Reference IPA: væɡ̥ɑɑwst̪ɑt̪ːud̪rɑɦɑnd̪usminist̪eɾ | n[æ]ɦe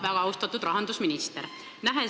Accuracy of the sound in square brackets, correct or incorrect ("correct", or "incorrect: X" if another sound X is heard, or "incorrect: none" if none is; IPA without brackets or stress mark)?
correct